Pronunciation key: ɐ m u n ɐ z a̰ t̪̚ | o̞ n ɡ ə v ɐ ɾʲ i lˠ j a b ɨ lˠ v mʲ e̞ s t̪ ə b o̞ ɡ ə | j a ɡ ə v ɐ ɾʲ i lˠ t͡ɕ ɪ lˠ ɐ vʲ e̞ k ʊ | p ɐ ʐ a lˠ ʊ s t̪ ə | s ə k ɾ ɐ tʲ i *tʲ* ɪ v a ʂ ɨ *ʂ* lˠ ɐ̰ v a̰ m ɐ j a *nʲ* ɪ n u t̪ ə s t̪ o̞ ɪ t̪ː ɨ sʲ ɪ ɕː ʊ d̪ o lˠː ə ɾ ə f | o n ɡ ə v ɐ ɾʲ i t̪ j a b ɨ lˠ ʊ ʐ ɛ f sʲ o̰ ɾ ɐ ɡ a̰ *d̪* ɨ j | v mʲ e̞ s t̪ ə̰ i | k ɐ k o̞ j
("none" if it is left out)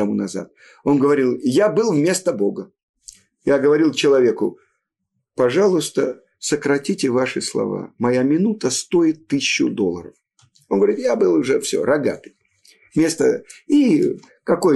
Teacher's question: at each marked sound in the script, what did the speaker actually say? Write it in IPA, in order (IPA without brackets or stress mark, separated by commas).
tʲ, s, mʲ, t̪